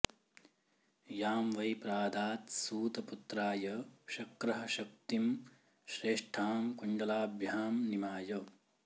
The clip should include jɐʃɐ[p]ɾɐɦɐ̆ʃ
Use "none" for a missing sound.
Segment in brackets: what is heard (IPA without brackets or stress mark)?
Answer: k